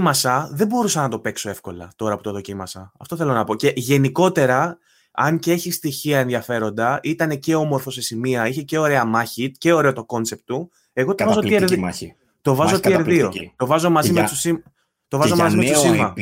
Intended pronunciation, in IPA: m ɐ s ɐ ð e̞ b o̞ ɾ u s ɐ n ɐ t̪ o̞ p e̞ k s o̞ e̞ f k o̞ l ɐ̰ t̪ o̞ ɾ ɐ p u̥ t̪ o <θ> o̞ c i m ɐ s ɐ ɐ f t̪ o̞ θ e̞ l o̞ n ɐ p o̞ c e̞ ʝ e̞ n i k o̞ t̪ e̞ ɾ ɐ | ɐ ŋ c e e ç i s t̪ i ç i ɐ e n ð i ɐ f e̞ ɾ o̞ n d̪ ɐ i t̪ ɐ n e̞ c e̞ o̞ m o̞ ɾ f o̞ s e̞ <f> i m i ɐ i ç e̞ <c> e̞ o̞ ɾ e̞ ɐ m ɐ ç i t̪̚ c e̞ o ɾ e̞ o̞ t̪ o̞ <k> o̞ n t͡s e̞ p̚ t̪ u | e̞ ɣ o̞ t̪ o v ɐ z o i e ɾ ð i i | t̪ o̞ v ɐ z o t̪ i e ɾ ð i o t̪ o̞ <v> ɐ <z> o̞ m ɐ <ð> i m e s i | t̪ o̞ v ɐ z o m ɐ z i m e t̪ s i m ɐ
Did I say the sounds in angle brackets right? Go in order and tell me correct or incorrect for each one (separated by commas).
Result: incorrect, incorrect, correct, correct, correct, correct, incorrect